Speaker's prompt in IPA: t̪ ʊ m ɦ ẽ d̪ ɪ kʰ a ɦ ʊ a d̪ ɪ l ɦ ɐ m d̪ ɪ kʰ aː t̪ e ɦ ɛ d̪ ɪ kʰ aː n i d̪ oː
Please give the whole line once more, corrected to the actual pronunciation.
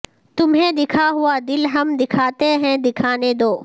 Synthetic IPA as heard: t̪ ʊ m ɦ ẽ d̪ ɪ kʰ a ɦ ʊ a d̪ ɪ l ɦ ɐ m d̪ ɪ kʰ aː t̪ e ɦ ɛ̃ d̪ ɪ kʰ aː n e d̪ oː